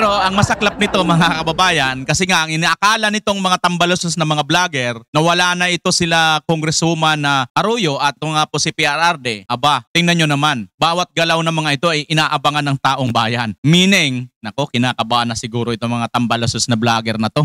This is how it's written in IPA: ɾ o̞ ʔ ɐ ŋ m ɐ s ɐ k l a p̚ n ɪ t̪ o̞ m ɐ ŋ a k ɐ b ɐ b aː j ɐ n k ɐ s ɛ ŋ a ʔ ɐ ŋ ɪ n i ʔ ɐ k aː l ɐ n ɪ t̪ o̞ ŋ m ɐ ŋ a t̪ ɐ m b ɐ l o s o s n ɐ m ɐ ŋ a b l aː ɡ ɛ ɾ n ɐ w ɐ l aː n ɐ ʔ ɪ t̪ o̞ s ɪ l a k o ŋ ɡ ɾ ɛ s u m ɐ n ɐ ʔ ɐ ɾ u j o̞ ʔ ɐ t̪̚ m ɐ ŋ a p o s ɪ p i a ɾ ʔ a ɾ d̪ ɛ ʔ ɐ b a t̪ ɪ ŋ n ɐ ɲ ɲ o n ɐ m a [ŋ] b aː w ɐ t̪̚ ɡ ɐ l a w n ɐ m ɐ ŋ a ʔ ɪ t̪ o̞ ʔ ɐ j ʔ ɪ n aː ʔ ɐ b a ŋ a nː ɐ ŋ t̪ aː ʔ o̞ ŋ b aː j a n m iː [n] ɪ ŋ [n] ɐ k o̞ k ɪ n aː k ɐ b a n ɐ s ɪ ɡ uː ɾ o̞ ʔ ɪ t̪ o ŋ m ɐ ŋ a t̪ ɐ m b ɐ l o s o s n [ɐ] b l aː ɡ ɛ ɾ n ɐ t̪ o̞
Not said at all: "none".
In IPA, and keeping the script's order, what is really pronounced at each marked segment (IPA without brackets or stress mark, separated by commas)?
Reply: n, n, n, ɐ